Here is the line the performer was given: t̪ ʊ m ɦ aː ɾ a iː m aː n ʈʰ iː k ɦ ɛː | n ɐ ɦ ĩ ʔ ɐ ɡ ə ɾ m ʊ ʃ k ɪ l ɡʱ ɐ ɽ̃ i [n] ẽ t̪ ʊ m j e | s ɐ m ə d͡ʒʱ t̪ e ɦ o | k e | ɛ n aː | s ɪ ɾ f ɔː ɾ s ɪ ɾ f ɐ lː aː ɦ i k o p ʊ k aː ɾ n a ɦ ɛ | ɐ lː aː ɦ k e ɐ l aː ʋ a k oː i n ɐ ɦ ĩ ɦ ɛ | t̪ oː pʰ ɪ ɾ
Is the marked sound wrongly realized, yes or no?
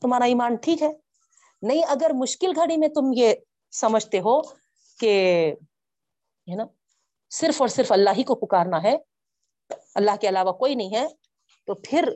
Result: yes